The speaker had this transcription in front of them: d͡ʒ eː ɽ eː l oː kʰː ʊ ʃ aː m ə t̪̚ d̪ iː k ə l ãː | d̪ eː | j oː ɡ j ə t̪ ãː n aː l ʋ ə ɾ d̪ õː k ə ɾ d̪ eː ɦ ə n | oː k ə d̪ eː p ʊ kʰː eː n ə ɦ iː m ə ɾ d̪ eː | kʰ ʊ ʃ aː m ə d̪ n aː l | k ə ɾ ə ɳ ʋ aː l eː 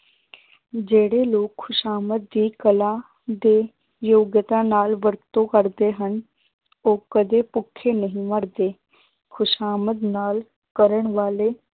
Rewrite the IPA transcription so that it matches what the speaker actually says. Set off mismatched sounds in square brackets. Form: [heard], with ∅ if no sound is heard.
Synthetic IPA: d͡ʒ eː ɽ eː l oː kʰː ʊ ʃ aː m ə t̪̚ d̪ iː k ə l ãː | d̪ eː | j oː ɡ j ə t̪ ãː n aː l ʋ ə ɾ [t̪] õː k ə ɾ d̪ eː ɦ ə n | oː k ə d̪ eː p ʊ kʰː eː n ə ɦ [ĩː] m ə ɾ d̪ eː | kʰ ʊ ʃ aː m ə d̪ n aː l | k ə ɾ ə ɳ ʋ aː l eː